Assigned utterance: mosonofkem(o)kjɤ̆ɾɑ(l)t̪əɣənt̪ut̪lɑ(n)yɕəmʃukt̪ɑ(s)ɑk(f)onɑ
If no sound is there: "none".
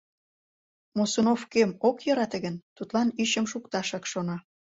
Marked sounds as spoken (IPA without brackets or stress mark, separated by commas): o, none, n, ʃ, ʃ